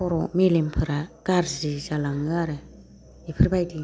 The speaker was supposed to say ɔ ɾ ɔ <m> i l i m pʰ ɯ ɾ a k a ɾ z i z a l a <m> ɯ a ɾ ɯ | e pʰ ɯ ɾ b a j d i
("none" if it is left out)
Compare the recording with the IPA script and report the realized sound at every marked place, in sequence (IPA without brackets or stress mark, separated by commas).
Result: m, ŋ